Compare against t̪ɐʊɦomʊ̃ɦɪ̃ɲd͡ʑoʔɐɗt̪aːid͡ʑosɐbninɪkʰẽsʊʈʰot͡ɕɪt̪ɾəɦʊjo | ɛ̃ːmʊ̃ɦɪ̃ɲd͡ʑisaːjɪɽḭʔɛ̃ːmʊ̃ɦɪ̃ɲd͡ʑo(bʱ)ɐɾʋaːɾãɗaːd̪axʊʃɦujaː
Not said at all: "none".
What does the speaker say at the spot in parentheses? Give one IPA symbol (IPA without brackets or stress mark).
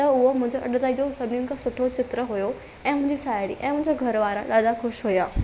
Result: ɡʱ